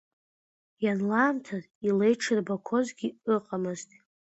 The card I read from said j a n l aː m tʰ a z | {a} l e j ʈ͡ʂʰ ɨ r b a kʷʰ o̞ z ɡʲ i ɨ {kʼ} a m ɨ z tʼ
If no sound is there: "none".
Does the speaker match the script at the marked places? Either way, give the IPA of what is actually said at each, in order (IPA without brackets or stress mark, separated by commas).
i, qʼ